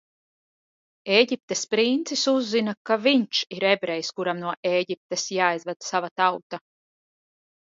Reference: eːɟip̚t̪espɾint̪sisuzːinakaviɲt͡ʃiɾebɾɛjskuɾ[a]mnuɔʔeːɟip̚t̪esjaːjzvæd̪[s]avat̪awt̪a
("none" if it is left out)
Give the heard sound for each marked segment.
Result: a, s

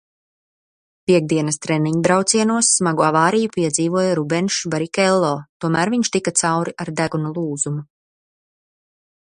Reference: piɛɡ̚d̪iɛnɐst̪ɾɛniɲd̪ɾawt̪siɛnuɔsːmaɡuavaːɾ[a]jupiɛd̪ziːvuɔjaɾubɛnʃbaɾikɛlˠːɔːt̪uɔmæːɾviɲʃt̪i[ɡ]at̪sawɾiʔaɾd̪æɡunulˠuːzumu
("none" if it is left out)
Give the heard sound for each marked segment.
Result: i, k

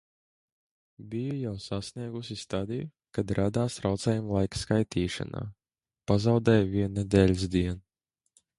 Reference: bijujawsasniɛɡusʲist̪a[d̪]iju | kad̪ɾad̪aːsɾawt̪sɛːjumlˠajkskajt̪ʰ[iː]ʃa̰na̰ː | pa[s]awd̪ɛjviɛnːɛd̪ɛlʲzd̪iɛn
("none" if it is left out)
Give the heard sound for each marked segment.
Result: d̪, iː, z

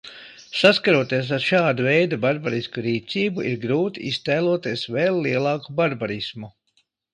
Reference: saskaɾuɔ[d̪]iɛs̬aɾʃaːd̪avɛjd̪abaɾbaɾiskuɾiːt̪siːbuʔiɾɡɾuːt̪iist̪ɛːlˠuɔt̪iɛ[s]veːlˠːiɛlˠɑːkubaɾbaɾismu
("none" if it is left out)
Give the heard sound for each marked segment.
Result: t̪, s

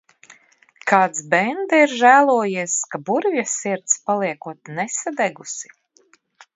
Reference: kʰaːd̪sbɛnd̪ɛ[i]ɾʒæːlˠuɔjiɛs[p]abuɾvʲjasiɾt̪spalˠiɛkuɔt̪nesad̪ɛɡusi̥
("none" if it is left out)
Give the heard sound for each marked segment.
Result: i, k

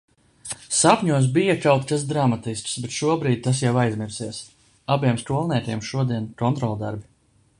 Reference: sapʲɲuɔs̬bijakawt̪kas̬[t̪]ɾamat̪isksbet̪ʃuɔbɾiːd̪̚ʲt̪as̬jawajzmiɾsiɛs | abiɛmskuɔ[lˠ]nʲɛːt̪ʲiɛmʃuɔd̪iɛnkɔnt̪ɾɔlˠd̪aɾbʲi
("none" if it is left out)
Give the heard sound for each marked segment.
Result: d̪, lˠ

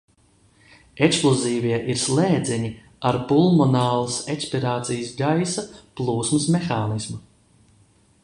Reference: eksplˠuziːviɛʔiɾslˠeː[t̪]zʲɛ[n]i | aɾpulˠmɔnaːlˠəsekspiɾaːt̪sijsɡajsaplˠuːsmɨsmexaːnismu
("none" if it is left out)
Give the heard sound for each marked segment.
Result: d̪, ɲ

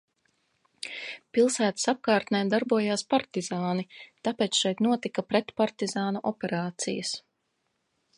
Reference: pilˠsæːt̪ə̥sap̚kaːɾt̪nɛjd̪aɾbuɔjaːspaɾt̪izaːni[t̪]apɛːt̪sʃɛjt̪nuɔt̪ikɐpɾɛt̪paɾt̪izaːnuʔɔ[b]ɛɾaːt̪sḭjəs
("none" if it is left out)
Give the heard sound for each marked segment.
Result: t̪, p

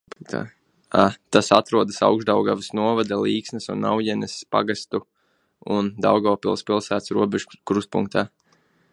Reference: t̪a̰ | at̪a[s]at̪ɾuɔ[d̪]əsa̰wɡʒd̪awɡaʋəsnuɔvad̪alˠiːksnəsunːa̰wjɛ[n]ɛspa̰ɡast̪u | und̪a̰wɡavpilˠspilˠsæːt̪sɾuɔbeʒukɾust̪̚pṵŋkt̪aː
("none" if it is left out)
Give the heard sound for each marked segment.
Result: s, d̪, n

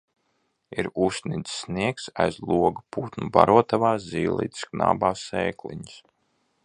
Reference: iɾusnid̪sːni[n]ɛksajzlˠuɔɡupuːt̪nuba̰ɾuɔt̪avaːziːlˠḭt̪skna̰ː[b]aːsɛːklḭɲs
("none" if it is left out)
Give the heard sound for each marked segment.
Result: none, b

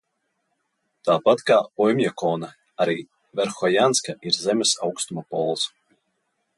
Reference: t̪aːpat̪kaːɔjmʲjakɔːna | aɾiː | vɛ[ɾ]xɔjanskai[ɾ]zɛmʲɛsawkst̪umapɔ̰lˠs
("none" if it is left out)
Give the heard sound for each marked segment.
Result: ɾ, ɾ

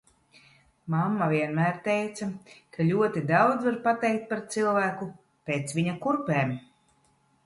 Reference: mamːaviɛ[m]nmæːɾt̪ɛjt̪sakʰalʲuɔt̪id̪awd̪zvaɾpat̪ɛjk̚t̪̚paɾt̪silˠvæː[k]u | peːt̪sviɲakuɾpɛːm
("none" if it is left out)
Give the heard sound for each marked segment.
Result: none, k

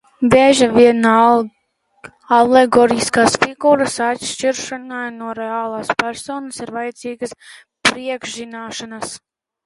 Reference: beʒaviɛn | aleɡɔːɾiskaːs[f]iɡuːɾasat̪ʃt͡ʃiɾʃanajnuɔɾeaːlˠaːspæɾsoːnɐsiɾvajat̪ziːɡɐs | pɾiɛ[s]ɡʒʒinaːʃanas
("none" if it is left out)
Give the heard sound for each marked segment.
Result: f, none

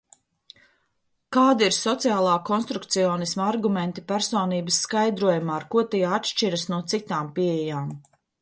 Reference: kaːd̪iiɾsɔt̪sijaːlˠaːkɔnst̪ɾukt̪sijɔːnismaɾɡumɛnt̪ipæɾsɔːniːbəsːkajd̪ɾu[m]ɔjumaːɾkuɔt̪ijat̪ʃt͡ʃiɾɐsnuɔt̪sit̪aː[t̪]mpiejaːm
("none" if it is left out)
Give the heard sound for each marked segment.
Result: none, none

